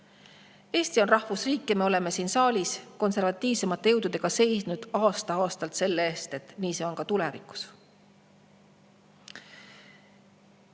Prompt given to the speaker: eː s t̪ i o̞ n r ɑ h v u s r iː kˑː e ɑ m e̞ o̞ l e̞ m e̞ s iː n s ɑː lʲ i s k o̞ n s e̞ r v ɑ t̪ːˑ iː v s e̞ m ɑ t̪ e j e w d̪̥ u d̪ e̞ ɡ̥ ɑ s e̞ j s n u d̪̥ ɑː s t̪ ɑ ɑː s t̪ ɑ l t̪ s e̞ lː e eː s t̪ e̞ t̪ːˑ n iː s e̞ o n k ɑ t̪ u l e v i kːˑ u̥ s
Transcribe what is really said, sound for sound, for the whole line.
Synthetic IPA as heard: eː s t̪ i o̞ n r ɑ h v u s r iː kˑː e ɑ m e̞ o̞ l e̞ m e̞ s iː n s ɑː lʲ i s k o̞ n s e̞ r v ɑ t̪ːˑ iː v s e̞ m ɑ t̪ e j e w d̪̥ u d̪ e̞ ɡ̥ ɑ s e̞ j s n u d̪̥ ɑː s t̪ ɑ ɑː s t̪ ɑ l t̪ s e̞ lː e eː s t̪ e̞ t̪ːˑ n iː s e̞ o n k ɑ t̪ u l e v i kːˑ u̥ s